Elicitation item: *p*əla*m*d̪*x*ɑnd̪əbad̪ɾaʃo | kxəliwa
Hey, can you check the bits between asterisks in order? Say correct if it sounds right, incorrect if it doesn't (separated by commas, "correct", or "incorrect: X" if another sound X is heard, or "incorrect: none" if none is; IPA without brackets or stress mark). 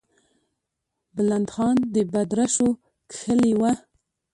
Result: incorrect: b, incorrect: n, correct